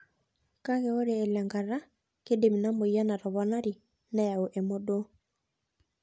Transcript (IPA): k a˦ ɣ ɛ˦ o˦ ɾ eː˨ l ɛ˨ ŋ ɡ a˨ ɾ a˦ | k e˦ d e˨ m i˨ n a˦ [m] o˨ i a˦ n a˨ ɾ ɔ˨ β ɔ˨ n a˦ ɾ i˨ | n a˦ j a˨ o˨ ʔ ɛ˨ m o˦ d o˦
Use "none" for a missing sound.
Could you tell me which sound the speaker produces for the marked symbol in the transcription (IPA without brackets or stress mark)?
m